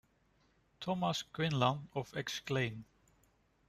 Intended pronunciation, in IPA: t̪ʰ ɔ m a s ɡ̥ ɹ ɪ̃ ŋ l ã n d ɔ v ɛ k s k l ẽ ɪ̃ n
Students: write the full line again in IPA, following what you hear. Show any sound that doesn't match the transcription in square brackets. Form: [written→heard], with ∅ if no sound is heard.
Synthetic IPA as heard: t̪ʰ ɔ m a s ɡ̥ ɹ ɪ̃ [ŋ→n] l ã n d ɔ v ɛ k s k l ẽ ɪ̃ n

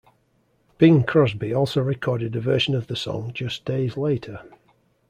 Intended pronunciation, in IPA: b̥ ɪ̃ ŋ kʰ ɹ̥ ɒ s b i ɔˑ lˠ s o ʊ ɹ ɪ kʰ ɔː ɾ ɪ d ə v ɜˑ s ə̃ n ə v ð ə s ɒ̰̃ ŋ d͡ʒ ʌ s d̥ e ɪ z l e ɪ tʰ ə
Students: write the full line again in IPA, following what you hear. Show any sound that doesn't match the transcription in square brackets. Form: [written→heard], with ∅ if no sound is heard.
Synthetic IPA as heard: b̥ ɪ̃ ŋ kʰ ɹ̥ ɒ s b i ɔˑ lˠ s o ʊ ɹ ɪ kʰ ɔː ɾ ɪ d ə v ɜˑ [s→ʃ] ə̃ n ə v ð ə s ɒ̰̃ ŋ d͡ʒ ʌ s d̥ e ɪ z l e ɪ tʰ ə

